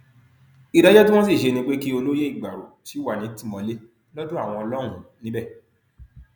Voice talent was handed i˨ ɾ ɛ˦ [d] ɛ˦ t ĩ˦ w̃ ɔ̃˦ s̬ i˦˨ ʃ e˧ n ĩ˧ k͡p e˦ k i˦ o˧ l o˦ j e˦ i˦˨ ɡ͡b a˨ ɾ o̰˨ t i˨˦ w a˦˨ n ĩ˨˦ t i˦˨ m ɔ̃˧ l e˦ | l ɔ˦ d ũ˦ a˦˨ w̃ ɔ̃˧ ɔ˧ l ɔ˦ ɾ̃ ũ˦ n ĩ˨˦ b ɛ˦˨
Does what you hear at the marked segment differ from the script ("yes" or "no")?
yes